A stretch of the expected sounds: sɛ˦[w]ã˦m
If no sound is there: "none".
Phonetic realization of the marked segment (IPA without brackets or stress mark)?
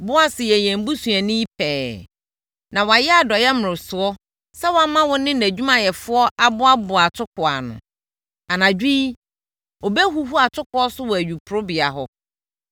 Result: w